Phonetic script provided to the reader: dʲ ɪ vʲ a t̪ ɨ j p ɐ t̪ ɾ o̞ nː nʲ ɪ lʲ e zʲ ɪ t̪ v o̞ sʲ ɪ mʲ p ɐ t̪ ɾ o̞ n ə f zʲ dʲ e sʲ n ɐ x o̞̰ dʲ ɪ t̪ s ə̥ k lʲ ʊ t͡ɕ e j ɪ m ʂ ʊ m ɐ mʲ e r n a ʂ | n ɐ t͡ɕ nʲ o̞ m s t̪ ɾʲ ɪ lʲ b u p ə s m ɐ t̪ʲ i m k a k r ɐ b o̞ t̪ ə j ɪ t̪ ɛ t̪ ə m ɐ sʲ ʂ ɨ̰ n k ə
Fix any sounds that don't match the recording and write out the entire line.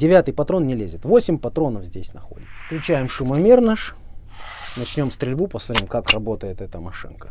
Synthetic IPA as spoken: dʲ ɪ vʲ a t̪ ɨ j p ɐ t̪ ɾ o̞ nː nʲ ɪ lʲ e zʲ ɪ t̪ v o̞ sʲ ɪ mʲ p ɐ t̪ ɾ o̞ n ə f zʲ dʲ e sʲ n ɐ x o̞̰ dʲ ɪ t̪ s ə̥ k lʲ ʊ t͡ɕ æ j ɪ m ʂ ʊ m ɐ mʲ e r n a ʂ | n ɐ t͡ɕ nʲ o̞ m s t̪ ɾʲ ɪ lʲ b u p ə s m ɐ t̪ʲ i m k a k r ɐ b o̞ t̪ ə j ɪ t̪ ɛ t̪ ə m ɐ ʂ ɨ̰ n k ə